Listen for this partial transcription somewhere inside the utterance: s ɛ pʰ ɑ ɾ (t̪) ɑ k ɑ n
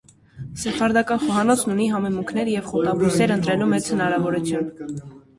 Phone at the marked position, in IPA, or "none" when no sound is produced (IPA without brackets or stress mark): d̪